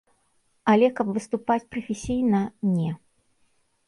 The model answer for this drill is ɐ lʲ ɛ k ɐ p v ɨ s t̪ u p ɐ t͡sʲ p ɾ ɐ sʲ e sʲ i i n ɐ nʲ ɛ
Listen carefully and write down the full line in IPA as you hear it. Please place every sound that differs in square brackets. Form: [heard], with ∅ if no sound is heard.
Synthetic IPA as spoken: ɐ lʲ ɛ k ɐ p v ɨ s t̪ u p [a] t͡sʲ p ɾ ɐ [fʲ] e sʲ i [j] n ɐ nʲ ɛ